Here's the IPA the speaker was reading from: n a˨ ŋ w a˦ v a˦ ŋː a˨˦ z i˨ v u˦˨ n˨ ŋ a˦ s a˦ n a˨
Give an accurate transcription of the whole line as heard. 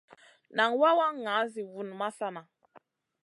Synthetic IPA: n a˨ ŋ w a˦ w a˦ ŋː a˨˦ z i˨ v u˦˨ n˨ m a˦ s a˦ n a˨